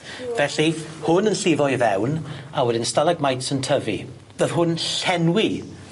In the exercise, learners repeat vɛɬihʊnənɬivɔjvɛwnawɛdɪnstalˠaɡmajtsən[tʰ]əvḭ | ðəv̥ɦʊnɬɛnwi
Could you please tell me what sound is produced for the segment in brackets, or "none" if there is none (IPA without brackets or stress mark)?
tʰ